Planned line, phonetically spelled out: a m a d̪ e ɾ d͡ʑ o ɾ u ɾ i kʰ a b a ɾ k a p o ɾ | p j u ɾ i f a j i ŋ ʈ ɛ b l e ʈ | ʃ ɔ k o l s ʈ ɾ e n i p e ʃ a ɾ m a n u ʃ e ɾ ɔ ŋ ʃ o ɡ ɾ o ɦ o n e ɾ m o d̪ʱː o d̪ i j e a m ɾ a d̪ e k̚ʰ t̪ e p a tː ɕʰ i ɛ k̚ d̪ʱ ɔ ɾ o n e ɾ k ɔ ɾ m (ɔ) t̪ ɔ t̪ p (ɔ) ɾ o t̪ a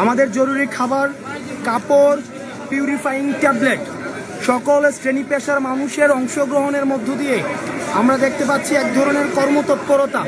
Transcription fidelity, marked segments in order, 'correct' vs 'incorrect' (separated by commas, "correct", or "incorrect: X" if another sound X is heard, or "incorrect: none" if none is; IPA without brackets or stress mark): incorrect: o, incorrect: o